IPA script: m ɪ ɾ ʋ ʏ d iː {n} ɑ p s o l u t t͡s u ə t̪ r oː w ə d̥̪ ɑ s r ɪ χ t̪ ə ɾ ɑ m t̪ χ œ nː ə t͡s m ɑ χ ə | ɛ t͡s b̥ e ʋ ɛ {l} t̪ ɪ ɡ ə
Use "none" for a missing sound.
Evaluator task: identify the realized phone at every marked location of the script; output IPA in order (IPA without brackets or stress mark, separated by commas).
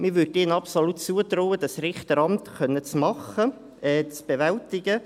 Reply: n, l